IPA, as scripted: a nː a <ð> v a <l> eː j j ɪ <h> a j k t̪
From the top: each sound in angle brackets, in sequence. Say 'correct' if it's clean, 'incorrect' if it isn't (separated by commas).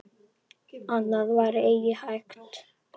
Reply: correct, incorrect, correct